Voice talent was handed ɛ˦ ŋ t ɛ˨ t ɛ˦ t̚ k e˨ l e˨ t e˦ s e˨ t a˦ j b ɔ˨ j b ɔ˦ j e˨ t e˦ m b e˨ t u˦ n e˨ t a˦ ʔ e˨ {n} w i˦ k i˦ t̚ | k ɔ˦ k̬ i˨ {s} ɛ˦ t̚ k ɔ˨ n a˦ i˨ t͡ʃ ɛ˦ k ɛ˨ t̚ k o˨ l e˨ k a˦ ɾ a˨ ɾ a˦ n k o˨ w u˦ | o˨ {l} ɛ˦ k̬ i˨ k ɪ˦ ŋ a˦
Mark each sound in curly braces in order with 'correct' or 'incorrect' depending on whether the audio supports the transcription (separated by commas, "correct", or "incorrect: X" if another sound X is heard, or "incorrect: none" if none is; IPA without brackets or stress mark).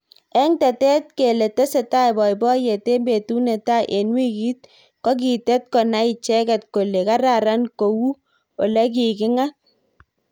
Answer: correct, incorrect: t, correct